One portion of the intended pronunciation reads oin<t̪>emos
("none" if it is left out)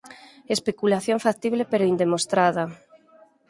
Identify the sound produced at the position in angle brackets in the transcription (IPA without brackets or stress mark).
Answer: d̪